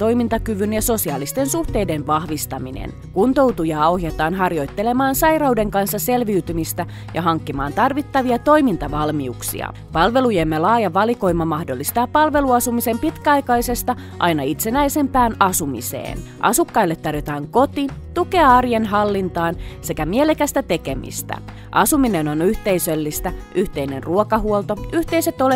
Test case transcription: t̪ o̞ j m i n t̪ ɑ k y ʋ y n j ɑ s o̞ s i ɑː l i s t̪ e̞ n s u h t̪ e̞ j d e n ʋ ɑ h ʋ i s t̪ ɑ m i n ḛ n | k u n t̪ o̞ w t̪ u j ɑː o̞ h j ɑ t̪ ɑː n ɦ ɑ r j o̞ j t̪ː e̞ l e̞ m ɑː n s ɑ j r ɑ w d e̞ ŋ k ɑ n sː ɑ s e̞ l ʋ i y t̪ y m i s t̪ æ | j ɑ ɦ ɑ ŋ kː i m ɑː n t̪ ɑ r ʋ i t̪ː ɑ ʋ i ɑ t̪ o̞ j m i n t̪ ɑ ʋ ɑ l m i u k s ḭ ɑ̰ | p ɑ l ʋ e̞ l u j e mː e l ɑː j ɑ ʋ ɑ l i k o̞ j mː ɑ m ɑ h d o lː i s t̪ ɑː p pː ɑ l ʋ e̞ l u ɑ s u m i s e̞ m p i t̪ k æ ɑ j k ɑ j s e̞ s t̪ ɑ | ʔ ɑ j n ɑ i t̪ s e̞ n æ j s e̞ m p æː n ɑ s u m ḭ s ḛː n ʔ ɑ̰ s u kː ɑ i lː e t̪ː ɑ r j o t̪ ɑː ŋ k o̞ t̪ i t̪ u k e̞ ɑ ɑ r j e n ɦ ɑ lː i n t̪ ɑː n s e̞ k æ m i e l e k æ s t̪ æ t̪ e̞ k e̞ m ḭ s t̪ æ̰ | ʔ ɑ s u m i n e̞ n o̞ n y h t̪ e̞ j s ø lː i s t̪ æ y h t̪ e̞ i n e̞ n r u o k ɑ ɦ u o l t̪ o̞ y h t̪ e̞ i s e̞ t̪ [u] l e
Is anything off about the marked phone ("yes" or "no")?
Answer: yes